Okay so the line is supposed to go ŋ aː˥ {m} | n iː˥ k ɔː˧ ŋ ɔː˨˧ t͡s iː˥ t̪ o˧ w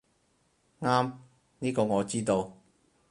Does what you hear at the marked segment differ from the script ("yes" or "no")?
no